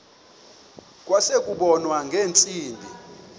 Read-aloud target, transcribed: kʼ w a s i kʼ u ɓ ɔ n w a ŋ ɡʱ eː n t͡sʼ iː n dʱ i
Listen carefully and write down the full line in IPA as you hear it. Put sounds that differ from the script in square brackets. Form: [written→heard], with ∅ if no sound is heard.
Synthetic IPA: kʼ w a s [i→e] kʼ u ɓ ɔ n w a ŋ ɡʱ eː n t͡sʼ iː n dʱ i